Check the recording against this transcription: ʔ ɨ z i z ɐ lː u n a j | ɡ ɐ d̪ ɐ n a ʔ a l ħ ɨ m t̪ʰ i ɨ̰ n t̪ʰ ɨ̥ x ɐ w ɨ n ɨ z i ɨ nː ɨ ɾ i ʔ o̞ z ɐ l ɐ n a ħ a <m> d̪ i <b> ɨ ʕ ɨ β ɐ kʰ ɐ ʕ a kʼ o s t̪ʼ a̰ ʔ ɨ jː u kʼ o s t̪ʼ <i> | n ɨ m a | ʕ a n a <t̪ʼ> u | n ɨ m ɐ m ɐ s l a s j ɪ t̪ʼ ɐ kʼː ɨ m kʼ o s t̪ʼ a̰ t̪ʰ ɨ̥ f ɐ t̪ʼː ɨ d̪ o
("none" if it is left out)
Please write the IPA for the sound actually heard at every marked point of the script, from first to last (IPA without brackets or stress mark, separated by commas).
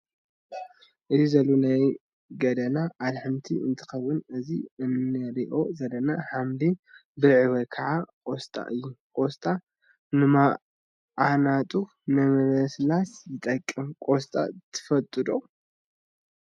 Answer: m, b, a, t̪ʼ